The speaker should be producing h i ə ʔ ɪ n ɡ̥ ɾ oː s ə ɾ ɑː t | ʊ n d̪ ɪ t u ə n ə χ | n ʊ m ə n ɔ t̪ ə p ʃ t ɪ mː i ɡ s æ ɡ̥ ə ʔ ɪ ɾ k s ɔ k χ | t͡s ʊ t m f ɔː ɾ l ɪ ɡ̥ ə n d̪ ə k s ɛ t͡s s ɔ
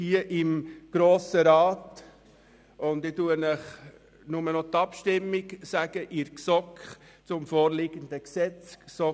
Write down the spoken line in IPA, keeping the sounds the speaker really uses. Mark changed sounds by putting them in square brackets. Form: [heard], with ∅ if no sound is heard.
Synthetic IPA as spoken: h i ə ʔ ɪ [m] ɡ̥ ɾ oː s ə ɾ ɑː t | ʊ n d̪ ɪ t u ə n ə χ | n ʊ m ə n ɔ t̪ [ɑ] p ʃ t ɪ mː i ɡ s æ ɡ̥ ə ʔ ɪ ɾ k s ɔ k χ | t͡s ʊ [∅] m f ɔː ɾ l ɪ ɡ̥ ə n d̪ ə k s ɛ t͡s s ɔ